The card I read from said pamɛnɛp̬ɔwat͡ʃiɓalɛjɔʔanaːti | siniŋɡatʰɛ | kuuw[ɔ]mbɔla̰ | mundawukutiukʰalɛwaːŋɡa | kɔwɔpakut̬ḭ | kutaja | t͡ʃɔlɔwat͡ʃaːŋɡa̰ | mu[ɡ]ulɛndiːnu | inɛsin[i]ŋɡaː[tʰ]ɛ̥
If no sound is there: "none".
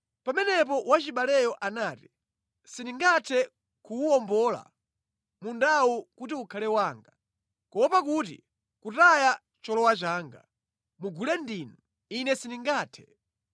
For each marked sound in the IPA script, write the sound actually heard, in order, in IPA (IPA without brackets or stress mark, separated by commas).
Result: ɔ, ɡ, i, tʰ